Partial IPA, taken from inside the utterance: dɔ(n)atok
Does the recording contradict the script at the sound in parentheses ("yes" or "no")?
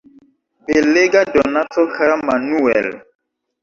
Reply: no